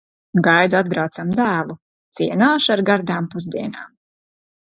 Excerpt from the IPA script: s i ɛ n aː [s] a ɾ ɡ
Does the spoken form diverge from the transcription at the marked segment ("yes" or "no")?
yes